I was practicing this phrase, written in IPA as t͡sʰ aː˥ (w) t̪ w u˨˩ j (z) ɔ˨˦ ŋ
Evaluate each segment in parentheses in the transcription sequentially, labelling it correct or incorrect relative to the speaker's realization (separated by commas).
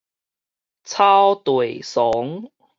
correct, incorrect